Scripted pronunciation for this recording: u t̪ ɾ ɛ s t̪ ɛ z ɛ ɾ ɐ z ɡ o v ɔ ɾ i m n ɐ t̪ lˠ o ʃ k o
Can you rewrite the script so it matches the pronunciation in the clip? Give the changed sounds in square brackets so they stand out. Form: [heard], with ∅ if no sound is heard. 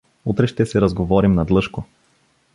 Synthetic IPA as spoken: u t̪ ɾ ɛ [ʃ] t̪ ɛ [s] ɛ ɾ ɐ z ɡ o v ɔ ɾ i m n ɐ [d̪] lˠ [ɤ] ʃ k o